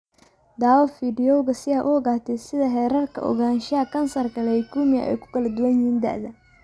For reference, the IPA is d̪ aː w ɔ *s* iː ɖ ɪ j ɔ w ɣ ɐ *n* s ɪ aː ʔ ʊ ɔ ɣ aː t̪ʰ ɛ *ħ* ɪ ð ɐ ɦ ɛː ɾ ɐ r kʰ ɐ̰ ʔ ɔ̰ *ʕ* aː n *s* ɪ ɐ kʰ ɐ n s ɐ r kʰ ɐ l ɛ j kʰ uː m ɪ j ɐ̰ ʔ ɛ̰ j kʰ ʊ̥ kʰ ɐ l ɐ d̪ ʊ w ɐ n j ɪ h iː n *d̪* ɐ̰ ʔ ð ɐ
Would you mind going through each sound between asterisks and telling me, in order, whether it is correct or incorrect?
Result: incorrect: f, incorrect: none, incorrect: s, incorrect: ɣ, incorrect: ʃ, correct

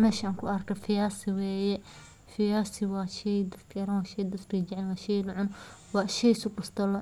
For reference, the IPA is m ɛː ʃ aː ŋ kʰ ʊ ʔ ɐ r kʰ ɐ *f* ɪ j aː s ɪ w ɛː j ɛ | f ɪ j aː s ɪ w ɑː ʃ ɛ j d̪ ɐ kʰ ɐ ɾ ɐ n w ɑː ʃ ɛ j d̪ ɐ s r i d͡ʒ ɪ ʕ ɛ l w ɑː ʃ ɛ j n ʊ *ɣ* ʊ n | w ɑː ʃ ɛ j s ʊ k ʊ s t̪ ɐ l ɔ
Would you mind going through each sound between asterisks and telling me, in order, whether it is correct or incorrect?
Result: correct, incorrect: ʕ

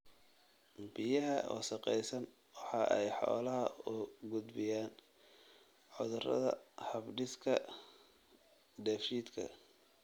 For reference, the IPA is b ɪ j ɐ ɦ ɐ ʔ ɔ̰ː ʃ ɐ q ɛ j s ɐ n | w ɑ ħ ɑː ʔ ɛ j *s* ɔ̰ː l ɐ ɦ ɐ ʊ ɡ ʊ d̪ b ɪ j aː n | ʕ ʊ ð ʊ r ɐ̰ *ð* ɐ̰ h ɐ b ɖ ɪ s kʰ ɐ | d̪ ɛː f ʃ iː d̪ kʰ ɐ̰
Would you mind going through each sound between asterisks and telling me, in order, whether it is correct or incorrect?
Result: incorrect: ħ, correct

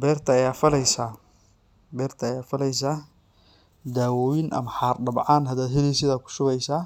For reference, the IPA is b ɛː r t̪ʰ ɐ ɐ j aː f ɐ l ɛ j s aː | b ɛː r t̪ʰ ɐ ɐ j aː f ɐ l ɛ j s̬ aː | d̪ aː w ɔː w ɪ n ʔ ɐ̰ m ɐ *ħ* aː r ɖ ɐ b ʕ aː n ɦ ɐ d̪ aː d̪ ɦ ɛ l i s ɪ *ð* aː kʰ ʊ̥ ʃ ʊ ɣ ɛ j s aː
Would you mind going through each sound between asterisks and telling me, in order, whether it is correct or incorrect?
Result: correct, correct

